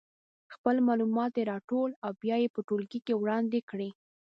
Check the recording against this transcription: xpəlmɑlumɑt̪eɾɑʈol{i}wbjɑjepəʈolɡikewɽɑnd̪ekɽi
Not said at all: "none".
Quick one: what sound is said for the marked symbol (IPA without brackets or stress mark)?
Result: a